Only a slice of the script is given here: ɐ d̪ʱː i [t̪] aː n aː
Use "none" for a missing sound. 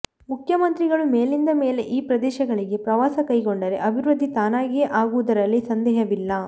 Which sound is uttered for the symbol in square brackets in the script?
t̪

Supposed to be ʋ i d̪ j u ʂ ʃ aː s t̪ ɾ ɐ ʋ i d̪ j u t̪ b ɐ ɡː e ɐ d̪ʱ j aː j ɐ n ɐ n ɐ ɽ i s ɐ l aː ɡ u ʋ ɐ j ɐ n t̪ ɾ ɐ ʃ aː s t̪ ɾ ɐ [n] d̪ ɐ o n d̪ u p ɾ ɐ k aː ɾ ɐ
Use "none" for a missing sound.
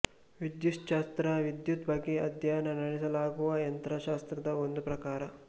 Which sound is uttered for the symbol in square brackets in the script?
none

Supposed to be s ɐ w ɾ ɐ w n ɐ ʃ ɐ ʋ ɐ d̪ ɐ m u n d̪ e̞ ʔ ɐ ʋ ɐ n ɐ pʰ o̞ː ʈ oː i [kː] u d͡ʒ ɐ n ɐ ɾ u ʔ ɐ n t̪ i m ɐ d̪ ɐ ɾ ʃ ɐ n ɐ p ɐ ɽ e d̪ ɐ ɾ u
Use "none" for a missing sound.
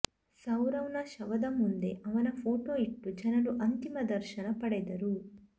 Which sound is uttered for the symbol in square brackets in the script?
ʈː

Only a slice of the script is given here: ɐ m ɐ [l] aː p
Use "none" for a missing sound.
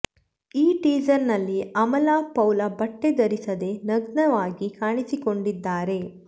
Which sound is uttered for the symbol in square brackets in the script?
l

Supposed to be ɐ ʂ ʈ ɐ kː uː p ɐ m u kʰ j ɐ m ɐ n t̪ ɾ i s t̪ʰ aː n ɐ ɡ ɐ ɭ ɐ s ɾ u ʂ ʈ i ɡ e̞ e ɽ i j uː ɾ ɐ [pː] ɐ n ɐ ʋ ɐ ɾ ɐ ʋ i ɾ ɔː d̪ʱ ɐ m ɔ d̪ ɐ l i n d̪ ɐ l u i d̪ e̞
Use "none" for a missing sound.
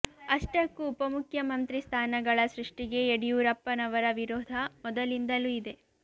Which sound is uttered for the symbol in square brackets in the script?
pː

